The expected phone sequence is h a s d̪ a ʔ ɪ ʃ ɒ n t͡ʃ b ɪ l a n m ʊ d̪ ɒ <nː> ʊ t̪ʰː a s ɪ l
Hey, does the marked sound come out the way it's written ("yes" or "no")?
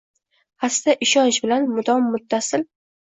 no